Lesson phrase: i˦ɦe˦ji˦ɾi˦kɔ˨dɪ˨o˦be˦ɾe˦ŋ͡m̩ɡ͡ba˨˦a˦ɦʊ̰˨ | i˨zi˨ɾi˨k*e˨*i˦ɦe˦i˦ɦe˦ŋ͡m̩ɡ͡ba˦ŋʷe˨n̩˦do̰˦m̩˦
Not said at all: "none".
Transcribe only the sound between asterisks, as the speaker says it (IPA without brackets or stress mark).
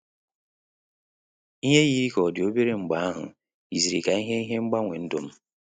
a˨